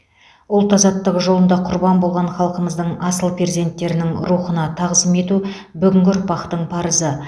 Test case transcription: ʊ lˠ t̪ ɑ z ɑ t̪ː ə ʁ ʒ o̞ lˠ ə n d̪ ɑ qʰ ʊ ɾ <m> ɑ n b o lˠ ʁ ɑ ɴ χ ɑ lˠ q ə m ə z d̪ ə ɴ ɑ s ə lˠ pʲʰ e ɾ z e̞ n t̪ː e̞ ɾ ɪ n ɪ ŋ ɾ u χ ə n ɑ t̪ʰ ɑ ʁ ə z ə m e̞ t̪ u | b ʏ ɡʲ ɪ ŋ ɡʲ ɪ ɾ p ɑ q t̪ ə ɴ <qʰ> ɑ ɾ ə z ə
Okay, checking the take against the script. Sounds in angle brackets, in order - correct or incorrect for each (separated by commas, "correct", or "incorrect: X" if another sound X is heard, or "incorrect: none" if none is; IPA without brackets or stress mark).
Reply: incorrect: b, incorrect: pʰ